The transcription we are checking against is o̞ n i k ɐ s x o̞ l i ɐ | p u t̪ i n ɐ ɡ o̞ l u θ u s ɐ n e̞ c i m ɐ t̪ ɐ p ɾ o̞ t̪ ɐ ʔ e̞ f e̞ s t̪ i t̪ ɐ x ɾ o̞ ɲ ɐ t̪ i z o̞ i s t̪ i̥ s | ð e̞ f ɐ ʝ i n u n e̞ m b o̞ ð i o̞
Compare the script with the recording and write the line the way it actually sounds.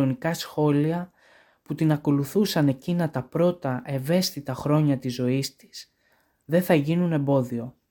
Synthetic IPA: o̞ n i k ɐ s x o̞ l i ɐ | p u t̪ i n ɐ k o̞ l u θ u s ɐ n e̞ c i n ɐ t̪ ɐ p ɾ o̞ t̪ ɐ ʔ e̞ v e̞ s t̪ i t̪ ɐ x ɾ o̞ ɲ ɐ t̪ i z o̞ i s t̪ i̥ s | ð e̞ θ ɐ ʝ i n u n e̞ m b o̞ ð i o̞